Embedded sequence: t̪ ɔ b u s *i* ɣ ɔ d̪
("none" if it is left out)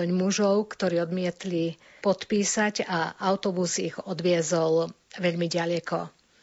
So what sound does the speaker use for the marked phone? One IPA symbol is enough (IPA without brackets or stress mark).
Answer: i